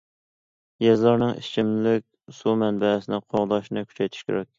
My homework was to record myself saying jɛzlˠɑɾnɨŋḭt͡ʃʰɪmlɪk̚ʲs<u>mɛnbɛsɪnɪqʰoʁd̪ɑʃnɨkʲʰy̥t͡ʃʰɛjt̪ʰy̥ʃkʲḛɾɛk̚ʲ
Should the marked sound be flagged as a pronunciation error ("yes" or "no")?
no